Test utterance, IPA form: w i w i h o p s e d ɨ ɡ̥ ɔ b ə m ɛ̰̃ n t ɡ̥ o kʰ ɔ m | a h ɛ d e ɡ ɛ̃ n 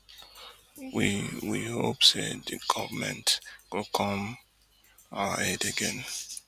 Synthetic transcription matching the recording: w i w i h o p s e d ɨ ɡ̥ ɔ v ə m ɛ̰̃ n t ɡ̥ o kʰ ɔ m | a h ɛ d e ɡ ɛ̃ n